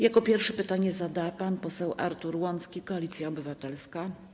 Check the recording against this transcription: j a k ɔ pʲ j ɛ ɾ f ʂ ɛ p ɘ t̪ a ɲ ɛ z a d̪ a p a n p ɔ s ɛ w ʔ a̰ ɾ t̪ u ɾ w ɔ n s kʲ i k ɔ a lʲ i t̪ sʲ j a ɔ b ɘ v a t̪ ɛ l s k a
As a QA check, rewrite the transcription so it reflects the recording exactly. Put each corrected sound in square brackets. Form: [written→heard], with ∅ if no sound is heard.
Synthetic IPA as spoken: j a k ɔ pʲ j ɛ ɾ f ʂ ɛ p ɘ t̪ a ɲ ɛ z a d̪ a p a n p ɔ s ɛ w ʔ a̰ ɾ t̪ u ɾ w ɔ n s kʲ i k ɔ a lʲ i t̪ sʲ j a ɔ b ɘ v a t̪ ɛ l s k a